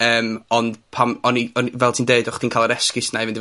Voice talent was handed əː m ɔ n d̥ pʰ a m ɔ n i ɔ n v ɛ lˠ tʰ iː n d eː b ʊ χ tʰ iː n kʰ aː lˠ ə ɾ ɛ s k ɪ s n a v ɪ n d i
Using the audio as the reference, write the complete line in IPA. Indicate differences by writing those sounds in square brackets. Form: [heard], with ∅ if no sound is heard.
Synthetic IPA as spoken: əː m ɔ n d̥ pʰ a m ɔ n i ɔ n v ɛ lˠ tʰ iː n d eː [d] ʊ χ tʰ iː n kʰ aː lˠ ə ɾ ɛ s k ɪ s n a v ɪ n d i